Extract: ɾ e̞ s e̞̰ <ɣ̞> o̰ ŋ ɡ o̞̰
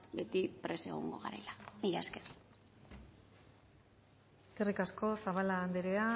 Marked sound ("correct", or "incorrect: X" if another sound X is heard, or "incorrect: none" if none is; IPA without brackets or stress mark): correct